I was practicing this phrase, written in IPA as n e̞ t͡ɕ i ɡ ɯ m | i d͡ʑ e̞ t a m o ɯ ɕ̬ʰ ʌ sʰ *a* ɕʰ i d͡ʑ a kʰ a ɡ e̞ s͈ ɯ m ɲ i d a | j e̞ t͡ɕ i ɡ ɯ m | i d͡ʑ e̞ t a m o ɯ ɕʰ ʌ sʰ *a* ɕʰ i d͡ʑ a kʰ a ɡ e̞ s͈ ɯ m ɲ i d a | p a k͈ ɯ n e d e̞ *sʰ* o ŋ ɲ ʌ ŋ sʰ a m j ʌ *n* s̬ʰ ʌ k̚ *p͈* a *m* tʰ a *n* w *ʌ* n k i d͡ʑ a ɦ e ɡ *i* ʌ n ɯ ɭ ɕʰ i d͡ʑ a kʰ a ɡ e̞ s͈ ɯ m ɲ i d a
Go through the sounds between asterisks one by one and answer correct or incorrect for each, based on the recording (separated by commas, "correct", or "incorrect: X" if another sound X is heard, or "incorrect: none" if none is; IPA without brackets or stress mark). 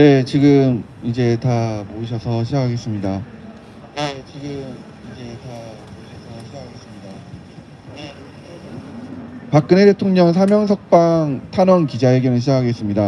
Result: incorrect: ʌ, incorrect: ʌ, incorrect: tʰ, incorrect: ŋ, correct, incorrect: ŋ, correct, correct, incorrect: j